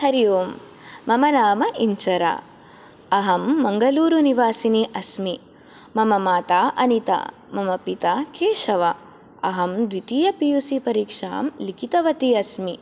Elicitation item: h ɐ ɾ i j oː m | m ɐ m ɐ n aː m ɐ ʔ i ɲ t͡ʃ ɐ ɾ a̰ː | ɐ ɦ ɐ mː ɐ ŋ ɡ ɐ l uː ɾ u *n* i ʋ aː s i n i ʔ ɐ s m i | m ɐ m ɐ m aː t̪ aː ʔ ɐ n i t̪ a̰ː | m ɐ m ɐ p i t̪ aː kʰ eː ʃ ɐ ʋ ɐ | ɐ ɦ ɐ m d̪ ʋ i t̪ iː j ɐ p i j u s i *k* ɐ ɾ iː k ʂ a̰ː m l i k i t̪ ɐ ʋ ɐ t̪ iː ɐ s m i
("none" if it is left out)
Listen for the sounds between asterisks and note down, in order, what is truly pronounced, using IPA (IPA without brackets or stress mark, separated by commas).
n, p